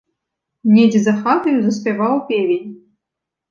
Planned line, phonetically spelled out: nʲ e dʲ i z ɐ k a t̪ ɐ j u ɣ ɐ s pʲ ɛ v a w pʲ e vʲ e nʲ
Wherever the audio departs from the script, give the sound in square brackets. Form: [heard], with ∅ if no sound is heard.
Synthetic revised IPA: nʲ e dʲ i z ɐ [x] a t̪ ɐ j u [z] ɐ s pʲ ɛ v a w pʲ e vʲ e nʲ